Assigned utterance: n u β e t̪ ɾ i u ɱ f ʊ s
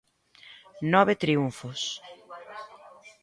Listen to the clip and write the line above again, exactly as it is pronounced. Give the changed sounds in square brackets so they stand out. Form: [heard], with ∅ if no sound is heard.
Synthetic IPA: n [ɔ] β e t̪ ɾ i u ɱ f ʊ s